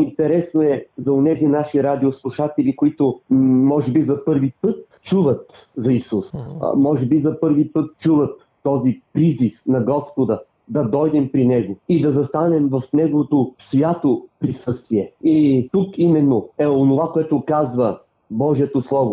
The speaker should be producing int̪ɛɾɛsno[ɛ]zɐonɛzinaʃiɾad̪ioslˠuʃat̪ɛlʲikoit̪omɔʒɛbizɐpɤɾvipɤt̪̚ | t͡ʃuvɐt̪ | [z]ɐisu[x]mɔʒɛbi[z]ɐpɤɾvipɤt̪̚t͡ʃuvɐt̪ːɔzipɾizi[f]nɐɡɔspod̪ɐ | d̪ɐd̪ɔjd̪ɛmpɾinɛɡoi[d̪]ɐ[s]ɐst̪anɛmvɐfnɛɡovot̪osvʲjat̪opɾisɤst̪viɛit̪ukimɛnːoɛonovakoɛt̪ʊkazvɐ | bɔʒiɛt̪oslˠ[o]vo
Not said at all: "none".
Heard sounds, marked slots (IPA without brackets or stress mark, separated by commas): ɛ, z, s, z, f, d̪, z, ɔ